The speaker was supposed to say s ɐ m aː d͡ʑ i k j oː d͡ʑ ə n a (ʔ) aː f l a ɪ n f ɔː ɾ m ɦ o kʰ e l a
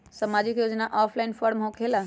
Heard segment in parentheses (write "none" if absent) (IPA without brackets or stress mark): ʔ